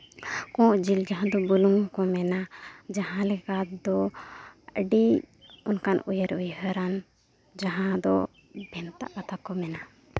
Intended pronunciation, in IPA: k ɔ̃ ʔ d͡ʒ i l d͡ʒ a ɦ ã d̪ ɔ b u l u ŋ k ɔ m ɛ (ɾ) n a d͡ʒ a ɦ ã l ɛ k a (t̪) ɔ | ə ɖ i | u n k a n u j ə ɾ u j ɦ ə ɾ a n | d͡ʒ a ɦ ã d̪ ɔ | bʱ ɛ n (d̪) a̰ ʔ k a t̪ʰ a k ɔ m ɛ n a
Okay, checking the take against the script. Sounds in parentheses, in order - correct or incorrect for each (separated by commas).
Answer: incorrect, incorrect, incorrect